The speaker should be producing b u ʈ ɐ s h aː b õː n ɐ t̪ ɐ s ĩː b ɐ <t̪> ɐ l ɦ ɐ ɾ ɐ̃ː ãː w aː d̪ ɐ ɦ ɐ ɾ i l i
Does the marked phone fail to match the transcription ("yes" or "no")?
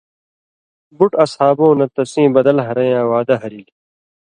yes